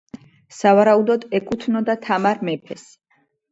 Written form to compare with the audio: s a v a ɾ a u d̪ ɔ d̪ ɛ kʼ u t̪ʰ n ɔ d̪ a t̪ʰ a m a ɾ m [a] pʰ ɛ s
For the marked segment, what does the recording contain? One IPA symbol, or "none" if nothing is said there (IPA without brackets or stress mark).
ɛ